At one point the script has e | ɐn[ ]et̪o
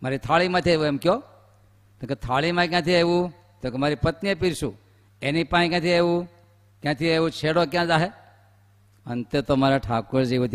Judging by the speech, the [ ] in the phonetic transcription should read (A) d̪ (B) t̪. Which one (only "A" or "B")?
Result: B